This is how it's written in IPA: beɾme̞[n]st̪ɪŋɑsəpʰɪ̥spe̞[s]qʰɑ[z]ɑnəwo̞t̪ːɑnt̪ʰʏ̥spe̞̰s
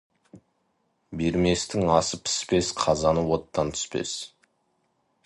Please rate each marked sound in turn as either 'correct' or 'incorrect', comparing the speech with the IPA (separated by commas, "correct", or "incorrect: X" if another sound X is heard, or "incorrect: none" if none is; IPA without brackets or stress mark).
incorrect: none, correct, correct